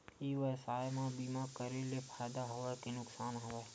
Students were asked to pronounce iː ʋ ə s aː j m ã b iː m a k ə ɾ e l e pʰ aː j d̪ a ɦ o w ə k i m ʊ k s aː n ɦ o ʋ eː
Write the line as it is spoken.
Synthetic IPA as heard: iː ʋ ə s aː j m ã b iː m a k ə ɾ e l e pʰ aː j d̪ a ɦ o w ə k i n ʊ k s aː n ɦ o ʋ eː